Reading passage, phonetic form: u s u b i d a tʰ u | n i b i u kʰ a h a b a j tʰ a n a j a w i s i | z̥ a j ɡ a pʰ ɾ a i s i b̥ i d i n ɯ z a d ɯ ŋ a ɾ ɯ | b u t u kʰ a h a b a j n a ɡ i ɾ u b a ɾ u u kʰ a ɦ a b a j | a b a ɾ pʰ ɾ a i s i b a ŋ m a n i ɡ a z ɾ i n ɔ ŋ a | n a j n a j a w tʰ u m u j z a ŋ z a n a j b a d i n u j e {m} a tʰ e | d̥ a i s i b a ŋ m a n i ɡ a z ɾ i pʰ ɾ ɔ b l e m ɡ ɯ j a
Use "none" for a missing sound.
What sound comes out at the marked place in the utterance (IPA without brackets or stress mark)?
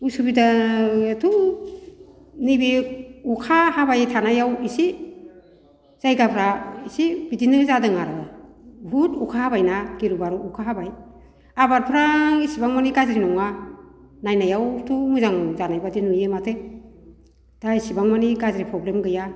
m